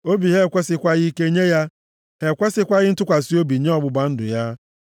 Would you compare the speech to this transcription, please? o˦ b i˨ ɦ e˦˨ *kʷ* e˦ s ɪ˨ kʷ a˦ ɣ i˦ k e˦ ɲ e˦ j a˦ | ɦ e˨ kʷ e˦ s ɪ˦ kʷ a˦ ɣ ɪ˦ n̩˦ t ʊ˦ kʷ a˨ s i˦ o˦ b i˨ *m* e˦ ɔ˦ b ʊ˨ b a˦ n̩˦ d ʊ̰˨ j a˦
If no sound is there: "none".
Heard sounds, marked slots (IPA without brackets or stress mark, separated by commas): kʷ, ɲ